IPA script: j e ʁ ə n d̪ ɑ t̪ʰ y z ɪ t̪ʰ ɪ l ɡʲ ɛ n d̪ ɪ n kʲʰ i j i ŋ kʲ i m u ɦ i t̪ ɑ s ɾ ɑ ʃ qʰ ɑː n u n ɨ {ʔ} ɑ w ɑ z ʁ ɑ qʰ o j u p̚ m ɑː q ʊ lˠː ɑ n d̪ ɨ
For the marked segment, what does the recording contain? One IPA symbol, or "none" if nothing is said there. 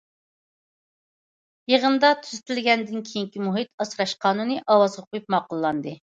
ʔ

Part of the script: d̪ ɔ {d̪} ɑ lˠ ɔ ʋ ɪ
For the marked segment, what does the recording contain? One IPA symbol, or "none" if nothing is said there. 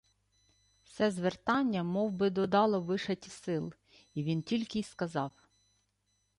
d̪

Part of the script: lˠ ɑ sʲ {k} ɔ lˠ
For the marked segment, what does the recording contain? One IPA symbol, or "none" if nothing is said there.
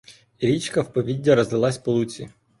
p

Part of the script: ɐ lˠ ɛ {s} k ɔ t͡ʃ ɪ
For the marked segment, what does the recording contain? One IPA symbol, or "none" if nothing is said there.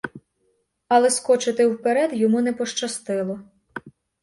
s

